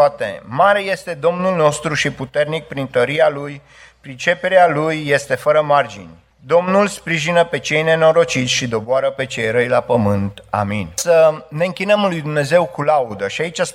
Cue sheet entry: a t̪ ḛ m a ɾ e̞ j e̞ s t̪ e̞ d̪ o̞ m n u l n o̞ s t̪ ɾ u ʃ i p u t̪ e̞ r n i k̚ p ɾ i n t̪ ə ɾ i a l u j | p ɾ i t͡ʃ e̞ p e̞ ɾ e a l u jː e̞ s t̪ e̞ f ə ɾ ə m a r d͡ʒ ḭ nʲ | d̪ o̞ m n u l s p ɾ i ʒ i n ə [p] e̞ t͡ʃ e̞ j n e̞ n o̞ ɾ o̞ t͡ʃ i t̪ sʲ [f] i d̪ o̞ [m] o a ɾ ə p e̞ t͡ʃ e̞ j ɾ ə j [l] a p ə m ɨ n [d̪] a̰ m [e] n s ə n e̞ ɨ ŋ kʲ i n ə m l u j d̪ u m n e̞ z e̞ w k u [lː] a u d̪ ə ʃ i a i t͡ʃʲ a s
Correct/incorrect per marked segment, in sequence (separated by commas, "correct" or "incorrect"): correct, incorrect, incorrect, correct, incorrect, incorrect, incorrect